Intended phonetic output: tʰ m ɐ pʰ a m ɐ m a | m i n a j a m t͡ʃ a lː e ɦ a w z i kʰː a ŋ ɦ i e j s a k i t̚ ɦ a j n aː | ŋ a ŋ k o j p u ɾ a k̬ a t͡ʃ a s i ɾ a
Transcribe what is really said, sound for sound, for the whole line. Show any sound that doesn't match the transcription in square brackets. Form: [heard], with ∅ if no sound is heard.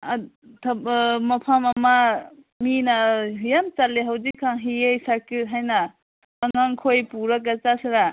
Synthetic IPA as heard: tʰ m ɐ pʰ a m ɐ m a | m i n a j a m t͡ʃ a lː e ɦ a w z i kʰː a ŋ ɦ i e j s a k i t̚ ɦ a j n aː | ŋ a ŋ [kʰ] o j p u ɾ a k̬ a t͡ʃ a s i ɾ a